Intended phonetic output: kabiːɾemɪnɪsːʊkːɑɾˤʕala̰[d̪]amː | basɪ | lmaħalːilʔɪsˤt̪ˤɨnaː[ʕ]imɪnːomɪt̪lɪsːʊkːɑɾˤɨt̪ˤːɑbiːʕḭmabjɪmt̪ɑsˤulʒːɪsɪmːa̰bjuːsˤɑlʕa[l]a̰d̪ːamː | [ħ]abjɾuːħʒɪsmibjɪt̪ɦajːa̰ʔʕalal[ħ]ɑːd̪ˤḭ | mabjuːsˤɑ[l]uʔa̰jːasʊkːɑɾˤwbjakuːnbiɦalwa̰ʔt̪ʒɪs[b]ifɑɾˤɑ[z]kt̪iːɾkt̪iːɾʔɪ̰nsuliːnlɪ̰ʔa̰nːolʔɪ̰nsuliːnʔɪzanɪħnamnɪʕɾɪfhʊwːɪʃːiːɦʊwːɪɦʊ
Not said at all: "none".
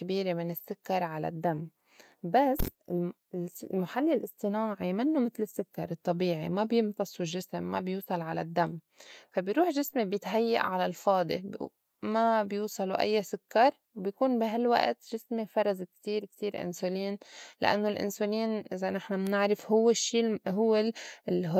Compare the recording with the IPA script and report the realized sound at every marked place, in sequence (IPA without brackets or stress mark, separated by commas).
d̪ː, ʕ, l, f, f, l, m, z